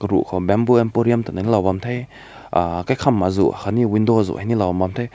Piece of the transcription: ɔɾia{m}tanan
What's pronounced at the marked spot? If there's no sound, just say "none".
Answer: m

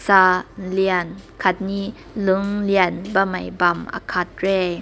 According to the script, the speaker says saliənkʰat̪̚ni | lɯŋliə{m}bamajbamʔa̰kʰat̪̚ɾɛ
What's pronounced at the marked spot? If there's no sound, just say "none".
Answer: n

